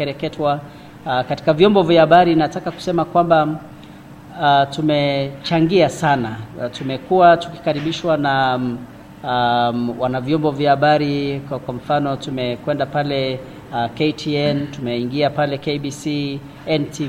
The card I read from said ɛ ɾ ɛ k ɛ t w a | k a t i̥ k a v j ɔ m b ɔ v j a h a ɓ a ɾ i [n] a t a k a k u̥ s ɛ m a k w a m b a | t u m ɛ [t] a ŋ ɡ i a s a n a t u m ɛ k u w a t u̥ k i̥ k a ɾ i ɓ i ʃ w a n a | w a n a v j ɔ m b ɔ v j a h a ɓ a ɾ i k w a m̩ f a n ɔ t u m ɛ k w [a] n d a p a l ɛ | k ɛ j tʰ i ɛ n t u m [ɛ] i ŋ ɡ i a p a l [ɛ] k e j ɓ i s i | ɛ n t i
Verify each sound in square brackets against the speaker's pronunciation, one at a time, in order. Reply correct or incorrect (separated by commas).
correct, incorrect, incorrect, correct, correct